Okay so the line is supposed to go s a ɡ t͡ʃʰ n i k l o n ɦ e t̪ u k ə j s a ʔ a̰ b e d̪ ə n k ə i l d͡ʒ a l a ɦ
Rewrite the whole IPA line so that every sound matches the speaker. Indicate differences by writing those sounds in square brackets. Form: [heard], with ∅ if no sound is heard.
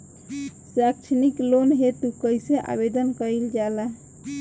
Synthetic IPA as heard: s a [k] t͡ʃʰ n i k l o n ɦ e t̪ u k ə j s [e] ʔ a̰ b e d̪ ə n k ə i l d͡ʒ a l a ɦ